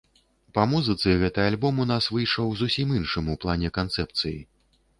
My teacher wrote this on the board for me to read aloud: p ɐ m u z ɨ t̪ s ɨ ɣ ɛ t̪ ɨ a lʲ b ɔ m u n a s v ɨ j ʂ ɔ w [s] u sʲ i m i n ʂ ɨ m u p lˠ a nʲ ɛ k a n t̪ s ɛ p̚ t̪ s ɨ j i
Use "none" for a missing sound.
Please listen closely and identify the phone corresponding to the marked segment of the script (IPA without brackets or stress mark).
z